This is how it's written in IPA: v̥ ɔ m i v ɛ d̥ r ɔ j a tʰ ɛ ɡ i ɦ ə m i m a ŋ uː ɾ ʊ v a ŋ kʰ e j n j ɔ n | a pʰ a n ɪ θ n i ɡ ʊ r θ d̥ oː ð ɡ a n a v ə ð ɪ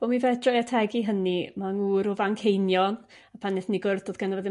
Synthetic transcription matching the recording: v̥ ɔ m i v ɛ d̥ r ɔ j a tʰ ɛ ɡ i ɦ ə n i m a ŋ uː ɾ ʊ v a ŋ kʰ e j n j ɔ n | a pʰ a n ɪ θ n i ɡ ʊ r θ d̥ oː ð ɡ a n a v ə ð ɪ